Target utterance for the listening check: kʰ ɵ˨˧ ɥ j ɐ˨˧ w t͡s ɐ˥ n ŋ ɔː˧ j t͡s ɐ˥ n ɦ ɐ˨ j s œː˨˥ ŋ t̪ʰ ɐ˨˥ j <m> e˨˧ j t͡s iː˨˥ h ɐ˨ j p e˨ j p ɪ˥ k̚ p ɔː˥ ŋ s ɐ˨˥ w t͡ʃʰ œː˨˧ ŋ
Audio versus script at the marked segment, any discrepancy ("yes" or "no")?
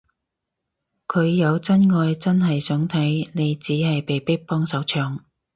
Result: yes